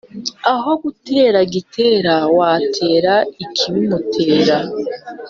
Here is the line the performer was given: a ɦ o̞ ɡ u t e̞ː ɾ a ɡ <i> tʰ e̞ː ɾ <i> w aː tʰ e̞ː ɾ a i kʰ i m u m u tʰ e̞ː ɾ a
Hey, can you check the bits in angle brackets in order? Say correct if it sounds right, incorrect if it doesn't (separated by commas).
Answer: correct, incorrect